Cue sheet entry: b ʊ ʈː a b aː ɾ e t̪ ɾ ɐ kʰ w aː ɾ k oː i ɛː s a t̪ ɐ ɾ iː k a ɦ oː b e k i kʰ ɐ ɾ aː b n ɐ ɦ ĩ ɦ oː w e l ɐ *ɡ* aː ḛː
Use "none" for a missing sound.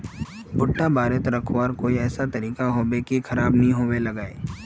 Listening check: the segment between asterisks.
ɡ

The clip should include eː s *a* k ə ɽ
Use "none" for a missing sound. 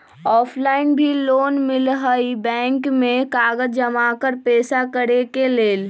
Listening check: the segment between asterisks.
a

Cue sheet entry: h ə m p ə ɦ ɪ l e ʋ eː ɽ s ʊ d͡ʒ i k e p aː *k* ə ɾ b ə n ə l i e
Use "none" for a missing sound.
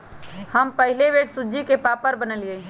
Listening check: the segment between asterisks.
p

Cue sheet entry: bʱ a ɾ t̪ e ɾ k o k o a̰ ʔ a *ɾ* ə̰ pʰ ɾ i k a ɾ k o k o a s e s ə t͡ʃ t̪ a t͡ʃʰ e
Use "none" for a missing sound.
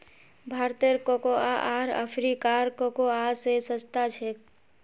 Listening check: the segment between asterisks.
ɾ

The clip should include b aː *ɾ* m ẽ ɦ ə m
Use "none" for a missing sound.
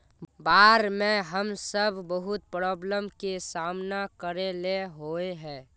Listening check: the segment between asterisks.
ɾ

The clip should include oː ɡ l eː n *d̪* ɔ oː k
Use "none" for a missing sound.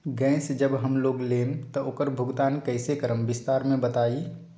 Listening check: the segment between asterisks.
t̪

